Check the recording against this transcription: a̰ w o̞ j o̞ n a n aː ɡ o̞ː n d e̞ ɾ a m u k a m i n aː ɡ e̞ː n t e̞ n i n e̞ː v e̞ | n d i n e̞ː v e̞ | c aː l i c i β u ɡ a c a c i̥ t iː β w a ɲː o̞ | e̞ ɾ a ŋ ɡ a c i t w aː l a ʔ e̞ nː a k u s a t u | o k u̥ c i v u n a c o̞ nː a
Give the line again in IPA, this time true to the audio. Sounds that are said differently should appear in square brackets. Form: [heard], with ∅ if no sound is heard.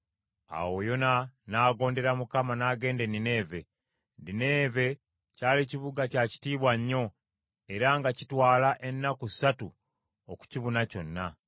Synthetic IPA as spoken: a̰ w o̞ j o̞ n a n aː ɡ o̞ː n d e̞ ɾ a m u k a m [a] n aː ɡ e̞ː n [d] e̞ n i n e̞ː v e̞ | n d i n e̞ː v e̞ | c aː l i c i β u ɡ a c a c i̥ t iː β w a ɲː o̞ | e̞ ɾ a ŋ ɡ a c i t w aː l a ʔ e̞ nː a k u s a t u | o k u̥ c i [β] u n a c o̞ nː a